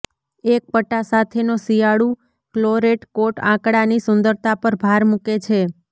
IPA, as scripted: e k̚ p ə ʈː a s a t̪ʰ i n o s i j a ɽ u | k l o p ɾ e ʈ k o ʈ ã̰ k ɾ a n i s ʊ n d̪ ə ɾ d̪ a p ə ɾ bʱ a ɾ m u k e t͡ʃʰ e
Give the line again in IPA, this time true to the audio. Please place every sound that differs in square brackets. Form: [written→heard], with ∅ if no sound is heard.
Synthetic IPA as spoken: e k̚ p ə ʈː a s a t̪ʰ [i→e] n o s i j a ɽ u | k l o [p→∅] ɾ e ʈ k o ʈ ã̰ k [ɾ→ɽ] a n i s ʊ n d̪ ə ɾ [d̪→t̪] a p ə ɾ bʱ a ɾ m u k e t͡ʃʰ e